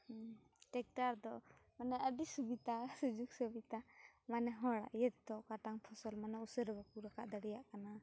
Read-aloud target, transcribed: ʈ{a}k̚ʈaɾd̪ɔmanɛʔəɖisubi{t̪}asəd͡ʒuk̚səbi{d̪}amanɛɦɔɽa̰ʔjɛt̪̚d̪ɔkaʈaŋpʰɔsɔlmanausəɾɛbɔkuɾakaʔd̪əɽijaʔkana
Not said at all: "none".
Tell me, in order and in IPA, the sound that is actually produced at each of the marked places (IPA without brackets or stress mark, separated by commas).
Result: ɛ, t̪, t̪